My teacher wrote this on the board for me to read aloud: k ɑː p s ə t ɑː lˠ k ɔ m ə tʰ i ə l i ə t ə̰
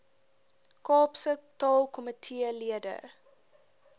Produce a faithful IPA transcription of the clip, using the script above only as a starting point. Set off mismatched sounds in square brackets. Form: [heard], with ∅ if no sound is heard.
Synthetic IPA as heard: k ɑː p s ə t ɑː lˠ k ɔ m ə tʰ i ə l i ə [d] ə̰